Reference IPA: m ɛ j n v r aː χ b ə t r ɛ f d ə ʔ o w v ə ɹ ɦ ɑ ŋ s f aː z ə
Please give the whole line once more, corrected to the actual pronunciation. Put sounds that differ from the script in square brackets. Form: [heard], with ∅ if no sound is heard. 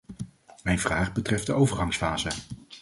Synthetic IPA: m ɛ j n v r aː χ b ə t r ɛ f d ə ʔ o w v ə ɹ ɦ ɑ ŋ s f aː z ə